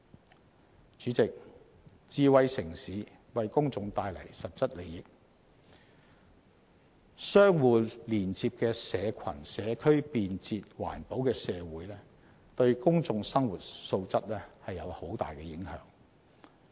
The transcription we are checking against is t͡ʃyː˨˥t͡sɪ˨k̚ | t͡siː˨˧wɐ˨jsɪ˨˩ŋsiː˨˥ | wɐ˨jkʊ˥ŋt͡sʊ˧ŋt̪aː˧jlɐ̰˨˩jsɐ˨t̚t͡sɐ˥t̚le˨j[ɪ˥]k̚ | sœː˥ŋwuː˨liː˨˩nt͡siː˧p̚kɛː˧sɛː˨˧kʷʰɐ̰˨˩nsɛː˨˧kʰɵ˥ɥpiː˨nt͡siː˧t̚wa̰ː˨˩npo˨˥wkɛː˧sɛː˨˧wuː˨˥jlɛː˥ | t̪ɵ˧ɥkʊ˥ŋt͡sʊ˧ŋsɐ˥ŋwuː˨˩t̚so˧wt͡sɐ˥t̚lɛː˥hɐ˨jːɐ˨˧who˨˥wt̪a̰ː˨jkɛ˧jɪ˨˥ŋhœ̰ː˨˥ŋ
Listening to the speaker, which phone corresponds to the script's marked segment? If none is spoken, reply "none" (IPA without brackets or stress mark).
ɪ˨